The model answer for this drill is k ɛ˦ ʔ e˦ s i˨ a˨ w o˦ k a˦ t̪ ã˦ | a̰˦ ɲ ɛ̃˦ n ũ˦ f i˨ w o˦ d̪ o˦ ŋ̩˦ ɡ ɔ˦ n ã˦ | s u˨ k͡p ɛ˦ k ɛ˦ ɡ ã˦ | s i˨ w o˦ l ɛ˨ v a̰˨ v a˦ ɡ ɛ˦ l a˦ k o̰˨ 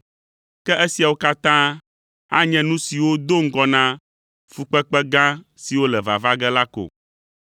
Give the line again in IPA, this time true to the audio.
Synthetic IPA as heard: k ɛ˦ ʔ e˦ s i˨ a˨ w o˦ k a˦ t̪ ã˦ | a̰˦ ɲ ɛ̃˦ n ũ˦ s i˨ w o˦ d̪ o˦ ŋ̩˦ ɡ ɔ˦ n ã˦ | f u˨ k͡p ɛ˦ k͡p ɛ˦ ɡ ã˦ | s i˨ w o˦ l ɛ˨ v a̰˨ v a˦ ɡ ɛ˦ l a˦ k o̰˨